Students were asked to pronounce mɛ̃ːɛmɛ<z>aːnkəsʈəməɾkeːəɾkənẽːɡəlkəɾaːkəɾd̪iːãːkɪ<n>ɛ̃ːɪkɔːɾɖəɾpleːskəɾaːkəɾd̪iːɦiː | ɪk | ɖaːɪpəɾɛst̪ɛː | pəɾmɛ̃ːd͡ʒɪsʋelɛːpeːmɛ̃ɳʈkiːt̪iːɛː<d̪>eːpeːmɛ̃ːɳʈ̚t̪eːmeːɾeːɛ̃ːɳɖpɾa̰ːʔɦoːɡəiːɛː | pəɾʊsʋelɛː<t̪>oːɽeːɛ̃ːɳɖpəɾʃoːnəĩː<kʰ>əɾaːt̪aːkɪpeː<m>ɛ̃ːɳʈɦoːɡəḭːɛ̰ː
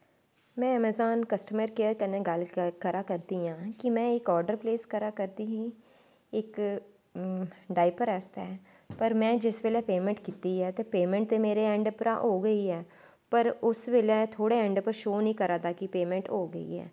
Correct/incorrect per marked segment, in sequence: correct, incorrect: m, incorrect: t̪, incorrect: t̪ʰ, incorrect: k, correct

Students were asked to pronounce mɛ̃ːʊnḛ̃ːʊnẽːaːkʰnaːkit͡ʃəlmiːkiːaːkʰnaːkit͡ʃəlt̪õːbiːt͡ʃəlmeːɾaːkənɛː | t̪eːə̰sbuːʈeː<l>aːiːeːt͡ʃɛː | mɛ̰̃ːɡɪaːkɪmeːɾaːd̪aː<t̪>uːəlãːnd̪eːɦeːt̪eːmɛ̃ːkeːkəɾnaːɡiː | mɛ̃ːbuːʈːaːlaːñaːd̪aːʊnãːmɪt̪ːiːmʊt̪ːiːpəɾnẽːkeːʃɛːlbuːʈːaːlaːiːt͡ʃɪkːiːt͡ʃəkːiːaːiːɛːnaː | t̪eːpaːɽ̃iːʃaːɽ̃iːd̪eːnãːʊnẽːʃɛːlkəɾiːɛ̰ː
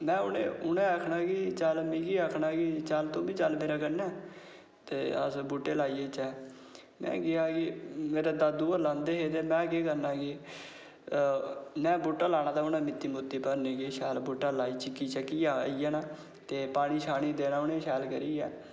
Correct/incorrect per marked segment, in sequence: correct, incorrect: d̪

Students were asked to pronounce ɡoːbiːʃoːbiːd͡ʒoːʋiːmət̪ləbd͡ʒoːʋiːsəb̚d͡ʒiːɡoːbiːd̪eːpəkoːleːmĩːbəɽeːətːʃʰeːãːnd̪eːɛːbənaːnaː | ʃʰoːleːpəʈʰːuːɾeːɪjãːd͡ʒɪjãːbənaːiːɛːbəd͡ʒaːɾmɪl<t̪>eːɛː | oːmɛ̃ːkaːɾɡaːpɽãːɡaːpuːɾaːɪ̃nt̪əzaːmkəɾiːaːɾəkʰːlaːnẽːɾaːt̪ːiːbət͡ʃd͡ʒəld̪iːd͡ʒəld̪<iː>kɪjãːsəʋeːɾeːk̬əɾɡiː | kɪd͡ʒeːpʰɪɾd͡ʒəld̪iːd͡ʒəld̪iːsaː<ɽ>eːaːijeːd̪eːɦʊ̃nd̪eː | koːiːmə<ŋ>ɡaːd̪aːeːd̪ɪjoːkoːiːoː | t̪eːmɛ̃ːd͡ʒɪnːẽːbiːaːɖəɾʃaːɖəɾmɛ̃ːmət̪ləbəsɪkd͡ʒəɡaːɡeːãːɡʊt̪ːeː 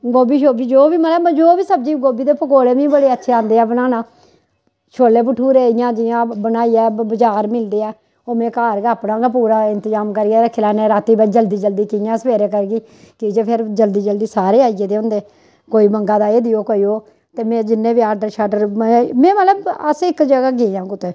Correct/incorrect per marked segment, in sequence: incorrect: d̪, correct, incorrect: ɾ, correct

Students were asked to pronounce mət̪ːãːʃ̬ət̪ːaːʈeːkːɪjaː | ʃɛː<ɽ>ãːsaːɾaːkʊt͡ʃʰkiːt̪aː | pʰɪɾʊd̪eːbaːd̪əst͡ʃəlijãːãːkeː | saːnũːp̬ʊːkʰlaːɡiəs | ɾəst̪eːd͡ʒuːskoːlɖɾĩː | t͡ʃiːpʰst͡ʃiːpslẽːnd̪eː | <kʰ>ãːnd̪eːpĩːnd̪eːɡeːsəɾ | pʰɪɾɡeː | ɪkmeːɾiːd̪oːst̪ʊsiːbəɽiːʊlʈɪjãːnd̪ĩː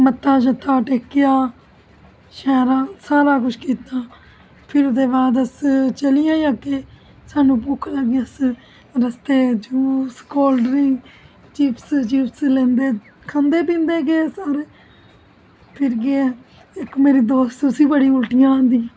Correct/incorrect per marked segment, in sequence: incorrect: ɾ, correct

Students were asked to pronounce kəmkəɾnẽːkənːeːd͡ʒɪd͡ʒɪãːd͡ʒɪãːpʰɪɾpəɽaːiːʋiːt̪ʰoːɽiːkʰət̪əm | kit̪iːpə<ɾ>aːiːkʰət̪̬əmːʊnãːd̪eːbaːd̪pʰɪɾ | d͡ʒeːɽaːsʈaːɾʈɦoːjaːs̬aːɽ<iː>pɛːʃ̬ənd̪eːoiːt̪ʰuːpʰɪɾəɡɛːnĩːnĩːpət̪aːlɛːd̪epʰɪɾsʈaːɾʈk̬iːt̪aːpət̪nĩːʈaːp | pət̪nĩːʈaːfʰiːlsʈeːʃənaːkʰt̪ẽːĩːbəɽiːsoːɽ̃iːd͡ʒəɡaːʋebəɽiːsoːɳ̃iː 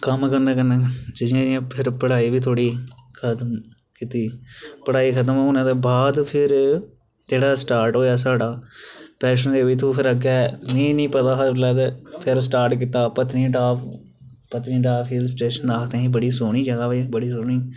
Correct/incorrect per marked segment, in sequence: incorrect: ɽ, incorrect: aː

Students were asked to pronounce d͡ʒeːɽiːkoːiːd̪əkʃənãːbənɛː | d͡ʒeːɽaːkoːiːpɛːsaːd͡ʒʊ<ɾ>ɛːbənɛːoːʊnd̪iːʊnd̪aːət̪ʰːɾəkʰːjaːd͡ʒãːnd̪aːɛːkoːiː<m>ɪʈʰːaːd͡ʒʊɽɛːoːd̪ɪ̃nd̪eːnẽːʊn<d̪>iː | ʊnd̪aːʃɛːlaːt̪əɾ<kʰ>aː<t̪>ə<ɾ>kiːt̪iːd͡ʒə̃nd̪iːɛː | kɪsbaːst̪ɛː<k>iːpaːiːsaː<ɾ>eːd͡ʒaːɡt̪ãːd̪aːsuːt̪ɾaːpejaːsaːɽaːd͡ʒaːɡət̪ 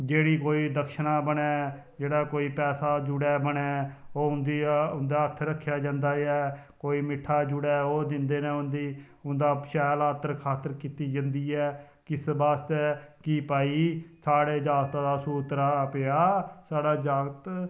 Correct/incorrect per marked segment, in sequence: incorrect: ɽ, correct, correct, correct, correct, correct, correct, incorrect: ɽ

